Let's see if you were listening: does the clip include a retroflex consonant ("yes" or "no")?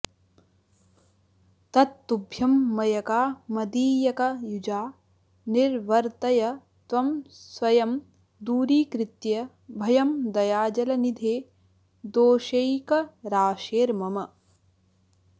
no